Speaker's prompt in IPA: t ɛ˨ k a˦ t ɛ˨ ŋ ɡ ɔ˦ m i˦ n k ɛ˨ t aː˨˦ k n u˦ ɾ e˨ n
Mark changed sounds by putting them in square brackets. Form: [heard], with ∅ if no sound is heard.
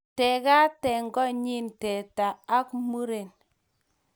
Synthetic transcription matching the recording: t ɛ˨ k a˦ t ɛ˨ ŋ ɡ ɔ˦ [ɲ] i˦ n [t] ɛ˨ t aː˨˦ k [m] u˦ ɾ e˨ n